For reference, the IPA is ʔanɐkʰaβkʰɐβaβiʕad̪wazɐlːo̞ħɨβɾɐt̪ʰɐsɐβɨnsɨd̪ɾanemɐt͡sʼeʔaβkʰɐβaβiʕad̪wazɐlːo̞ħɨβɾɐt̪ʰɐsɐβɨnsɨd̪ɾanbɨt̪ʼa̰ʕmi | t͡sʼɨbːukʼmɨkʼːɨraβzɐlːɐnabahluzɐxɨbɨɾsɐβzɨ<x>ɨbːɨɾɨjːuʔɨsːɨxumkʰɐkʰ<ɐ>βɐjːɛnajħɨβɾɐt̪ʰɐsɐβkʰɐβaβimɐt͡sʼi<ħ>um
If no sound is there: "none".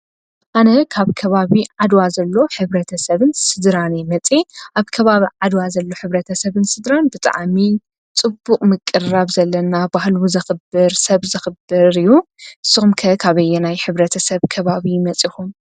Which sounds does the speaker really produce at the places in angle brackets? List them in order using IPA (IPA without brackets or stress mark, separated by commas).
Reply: x, a, x